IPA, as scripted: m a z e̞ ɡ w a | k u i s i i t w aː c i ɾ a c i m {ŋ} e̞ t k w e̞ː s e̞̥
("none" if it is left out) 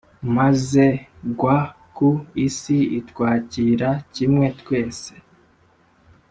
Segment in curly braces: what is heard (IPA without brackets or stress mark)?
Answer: ŋ